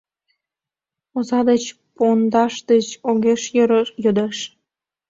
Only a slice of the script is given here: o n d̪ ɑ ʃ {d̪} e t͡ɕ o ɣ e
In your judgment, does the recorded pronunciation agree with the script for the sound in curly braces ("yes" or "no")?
yes